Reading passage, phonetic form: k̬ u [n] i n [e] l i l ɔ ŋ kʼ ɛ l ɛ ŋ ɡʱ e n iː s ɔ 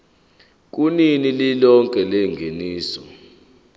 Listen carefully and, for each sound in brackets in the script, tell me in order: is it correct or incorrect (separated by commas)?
correct, incorrect